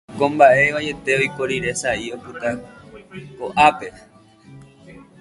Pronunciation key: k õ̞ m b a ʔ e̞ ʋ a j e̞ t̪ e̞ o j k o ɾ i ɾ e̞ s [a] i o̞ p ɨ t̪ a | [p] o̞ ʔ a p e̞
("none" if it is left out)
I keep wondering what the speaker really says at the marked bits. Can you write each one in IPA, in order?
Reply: a, k

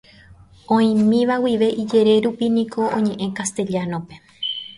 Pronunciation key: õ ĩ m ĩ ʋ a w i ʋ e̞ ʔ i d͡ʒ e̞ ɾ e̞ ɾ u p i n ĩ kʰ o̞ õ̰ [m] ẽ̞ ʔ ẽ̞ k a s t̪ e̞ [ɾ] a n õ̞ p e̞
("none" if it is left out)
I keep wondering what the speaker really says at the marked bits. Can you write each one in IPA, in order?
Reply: ɲ, ʎ

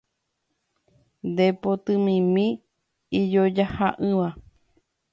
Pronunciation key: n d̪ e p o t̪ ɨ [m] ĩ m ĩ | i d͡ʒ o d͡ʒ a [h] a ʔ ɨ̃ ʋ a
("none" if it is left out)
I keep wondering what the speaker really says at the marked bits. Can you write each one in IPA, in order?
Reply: m, h

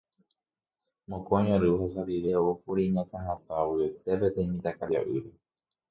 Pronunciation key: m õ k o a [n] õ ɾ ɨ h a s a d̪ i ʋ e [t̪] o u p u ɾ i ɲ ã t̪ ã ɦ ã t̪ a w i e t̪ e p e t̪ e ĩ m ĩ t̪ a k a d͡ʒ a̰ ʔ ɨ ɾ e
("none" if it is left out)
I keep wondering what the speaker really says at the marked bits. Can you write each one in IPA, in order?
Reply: ɲ, none

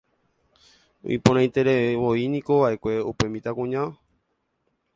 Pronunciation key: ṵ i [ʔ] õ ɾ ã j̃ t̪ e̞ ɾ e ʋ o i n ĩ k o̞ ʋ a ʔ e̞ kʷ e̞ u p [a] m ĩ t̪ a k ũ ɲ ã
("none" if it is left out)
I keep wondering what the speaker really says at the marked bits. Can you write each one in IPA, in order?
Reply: p, e

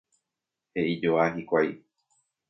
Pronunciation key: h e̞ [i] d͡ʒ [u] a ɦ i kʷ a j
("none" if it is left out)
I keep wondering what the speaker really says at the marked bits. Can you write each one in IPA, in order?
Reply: i, o

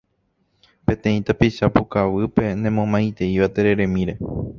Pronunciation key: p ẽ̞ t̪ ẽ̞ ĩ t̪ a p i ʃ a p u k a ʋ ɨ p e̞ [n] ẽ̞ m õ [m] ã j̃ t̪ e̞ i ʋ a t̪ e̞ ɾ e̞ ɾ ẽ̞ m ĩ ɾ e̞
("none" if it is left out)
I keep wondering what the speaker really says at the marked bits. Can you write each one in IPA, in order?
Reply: n, m

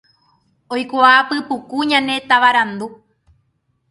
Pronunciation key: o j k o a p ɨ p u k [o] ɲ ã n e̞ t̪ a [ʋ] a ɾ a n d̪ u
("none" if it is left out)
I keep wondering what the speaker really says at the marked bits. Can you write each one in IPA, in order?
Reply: u, ʋ

